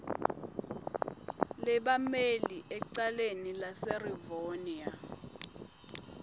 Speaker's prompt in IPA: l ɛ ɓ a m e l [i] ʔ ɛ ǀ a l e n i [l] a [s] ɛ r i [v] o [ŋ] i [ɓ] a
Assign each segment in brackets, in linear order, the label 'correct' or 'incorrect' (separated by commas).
correct, correct, correct, correct, incorrect, incorrect